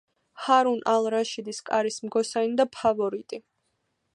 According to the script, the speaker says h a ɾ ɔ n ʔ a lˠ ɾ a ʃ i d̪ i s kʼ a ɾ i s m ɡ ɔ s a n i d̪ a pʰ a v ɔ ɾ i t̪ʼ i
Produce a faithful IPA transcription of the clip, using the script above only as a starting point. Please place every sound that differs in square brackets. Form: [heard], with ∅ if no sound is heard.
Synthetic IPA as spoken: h a ɾ [u] n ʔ a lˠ ɾ a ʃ i d̪ i s kʼ a ɾ i s m ɡ ɔ s a n i d̪ a pʰ a v ɔ ɾ i t̪ʼ i

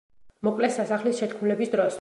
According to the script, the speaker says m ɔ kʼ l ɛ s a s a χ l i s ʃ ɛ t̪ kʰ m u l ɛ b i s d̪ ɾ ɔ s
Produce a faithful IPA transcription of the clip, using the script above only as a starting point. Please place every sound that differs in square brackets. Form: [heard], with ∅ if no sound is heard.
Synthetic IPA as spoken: m ɔ kʼ l ɛ s a s a χ l i s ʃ ɛ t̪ kʰ m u l ɛ b i s d̪ ɾ ɔ s

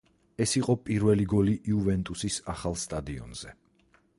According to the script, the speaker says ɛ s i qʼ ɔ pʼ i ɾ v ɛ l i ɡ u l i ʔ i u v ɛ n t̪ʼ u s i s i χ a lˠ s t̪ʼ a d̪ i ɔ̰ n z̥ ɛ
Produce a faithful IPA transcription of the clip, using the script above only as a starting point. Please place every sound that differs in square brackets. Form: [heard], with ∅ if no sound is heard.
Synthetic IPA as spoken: ɛ s i qʼ ɔ pʼ i ɾ v ɛ l i ɡ [ɔ] l i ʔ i u v ɛ n t̪ʼ u s i s [a] χ a lˠ s t̪ʼ a d̪ i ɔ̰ n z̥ ɛ

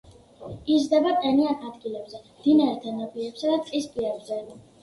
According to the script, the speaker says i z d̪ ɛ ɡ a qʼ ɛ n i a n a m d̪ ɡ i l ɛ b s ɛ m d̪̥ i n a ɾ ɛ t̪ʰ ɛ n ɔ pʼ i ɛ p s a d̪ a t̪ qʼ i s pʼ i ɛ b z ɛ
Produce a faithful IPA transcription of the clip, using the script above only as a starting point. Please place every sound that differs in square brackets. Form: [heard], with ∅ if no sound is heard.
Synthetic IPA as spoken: i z d̪ ɛ [b] a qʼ ɛ n i a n a [∅] d̪ ɡ i l ɛ b [z] ɛ m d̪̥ i n a ɾ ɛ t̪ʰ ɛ n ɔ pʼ i ɛ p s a d̪ a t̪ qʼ i s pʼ i ɛ b z ɛ

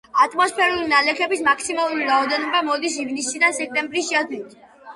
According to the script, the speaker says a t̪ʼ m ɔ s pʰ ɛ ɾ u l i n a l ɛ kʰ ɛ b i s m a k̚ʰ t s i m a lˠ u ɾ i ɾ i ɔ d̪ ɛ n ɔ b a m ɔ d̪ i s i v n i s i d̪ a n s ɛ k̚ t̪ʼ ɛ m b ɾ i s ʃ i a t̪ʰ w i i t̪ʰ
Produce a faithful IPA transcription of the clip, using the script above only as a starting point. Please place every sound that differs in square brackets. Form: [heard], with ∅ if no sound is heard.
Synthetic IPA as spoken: a t̪ʼ m ɔ s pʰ ɛ ɾ u l i n a l ɛ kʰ ɛ b i s m a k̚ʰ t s i m a lˠ u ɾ i ɾ [a] ɔ d̪ ɛ n ɔ b a m ɔ d̪ i s i v n i s i d̪ a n s ɛ k̚ t̪ʼ ɛ m b ɾ i s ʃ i a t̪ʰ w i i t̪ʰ

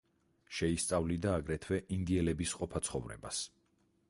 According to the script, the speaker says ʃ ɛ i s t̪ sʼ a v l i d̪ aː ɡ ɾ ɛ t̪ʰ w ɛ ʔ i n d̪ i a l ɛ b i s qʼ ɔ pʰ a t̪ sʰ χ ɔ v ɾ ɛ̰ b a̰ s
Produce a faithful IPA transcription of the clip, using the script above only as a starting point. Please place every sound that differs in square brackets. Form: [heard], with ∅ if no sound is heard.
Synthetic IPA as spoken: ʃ ɛ i s t̪ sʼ a v l i d̪ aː ɡ ɾ ɛ t̪ʰ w ɛ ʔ i n d̪ i [ɛ] l ɛ b i s qʼ ɔ pʰ a t̪ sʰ χ ɔ v ɾ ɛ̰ b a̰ s

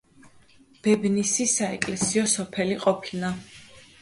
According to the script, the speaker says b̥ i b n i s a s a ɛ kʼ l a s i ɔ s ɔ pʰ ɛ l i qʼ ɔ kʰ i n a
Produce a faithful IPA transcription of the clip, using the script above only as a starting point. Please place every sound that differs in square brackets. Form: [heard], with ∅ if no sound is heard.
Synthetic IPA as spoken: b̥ [ɛ] b n i s [i] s a ɛ kʼ l [ɛ] s i ɔ s ɔ pʰ ɛ l i qʼ ɔ [pʰ] i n a

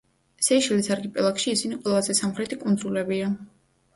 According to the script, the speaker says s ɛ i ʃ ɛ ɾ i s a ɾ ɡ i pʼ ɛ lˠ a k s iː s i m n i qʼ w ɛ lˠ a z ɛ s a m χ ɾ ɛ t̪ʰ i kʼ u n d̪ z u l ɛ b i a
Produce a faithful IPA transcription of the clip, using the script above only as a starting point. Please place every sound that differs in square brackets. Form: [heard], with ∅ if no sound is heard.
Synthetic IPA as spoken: s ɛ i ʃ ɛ [l] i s a ɾ ɡ i pʼ ɛ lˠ a k [ʃ] iː s i [∅] n i qʼ w ɛ lˠ a z ɛ s a m χ ɾ ɛ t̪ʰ i kʼ u n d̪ z u l ɛ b i a

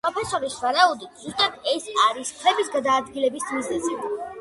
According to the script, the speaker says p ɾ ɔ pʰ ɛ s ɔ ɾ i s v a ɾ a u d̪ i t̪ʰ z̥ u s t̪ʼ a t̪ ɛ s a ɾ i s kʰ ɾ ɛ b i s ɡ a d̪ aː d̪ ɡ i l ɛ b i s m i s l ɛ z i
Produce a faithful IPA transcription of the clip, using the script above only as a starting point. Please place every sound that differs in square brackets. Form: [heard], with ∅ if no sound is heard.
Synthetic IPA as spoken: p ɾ ɔ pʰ ɛ s ɔ ɾ i s v a ɾ a u d̪ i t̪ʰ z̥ u s t̪ʼ a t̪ ɛ s a ɾ i s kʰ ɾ ɛ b i s ɡ a d̪ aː d̪ ɡ i l ɛ b i s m i [z] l ɛ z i

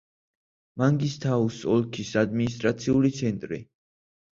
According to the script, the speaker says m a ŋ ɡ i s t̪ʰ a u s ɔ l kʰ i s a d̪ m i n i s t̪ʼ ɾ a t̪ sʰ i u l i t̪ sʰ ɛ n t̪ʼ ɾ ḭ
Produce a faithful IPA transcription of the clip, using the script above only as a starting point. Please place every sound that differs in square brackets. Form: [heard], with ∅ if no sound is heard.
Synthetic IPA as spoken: m a ŋ ɡ i s t̪ʰ a u s ɔ l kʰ i s a d̪ m i n i s t̪ʼ ɾ a t̪ sʰ i u l i t̪ sʰ ɛ n t̪ʼ ɾ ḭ

